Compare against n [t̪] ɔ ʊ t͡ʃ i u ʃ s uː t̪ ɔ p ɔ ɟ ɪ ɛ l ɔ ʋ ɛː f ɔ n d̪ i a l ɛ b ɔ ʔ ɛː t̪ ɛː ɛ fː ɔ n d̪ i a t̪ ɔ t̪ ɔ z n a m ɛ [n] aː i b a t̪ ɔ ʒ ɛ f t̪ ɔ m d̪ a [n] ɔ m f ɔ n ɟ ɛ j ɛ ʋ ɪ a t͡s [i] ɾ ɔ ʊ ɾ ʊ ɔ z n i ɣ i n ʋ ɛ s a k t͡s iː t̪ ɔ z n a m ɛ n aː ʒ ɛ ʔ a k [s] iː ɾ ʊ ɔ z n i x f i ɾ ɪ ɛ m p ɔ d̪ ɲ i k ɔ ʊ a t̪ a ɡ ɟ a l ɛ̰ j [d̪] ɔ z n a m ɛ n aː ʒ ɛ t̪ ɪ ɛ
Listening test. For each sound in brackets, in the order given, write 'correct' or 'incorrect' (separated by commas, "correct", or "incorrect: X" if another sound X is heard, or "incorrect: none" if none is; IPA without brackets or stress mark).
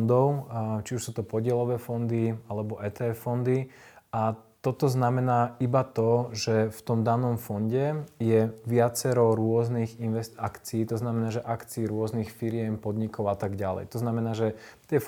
incorrect: d̪, correct, correct, incorrect: ɛ, incorrect: t͡s, incorrect: t̪